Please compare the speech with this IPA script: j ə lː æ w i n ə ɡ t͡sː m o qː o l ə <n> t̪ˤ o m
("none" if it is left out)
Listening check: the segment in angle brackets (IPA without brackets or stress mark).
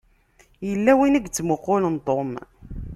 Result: n